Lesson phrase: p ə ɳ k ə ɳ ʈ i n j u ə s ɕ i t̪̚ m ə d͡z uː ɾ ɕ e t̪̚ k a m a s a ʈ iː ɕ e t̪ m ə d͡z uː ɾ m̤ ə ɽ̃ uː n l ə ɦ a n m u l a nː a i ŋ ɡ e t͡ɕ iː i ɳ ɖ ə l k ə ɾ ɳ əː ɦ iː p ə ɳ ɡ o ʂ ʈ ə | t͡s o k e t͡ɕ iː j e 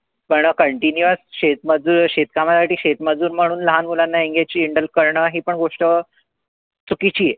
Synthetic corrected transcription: p ə ɳ k ə ɳ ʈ i n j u ə s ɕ e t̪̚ m ə d͡z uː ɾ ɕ e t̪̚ k a m a s a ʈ iː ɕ e t̪ m ə d͡z uː ɾ m̤ ə ɽ̃ uː n l ə ɦ a n m u l a nː a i ŋ ɡ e t͡ɕ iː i ɳ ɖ ə l k ə ɾ ɳ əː ɦ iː p ə ɳ ɡ o ʂ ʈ ə | t͡s u k i t͡ɕ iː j e